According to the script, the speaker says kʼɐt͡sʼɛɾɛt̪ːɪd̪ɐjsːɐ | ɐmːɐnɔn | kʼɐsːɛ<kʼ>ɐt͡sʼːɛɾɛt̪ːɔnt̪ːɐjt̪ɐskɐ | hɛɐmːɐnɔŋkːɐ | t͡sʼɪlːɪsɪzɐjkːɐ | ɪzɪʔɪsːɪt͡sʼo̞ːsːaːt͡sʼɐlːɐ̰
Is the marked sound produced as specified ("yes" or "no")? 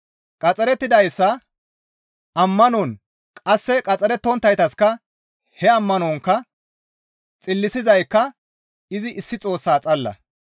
yes